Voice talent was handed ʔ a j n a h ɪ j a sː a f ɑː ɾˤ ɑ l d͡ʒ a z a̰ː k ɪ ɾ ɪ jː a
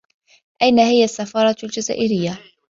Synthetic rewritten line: ʔ a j n a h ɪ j a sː a f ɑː ɾˤ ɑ l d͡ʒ a z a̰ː ʔ ɪ ɾ ɪ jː a